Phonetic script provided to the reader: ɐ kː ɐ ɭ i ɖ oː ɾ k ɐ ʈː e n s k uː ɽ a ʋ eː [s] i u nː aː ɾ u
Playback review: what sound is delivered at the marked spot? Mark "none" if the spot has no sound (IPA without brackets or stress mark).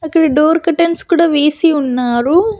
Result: s